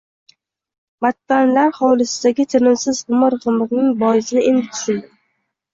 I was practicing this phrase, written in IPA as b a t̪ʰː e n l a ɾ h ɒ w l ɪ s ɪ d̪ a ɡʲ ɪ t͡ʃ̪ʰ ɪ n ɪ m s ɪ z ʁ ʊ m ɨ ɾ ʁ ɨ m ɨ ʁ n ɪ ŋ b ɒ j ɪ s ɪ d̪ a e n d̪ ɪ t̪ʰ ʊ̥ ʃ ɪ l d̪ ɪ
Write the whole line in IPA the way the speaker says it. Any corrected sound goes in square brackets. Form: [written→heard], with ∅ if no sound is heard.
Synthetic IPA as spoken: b a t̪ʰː [e→a] n l a ɾ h ɒ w l ɪ s ɪ d̪ a ɡʲ ɪ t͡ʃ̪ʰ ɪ n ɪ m s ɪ z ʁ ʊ m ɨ ɾ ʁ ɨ m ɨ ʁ n ɪ ŋ b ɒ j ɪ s ɪ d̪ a e n d̪ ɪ t̪ʰ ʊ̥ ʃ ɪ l d̪ ɪ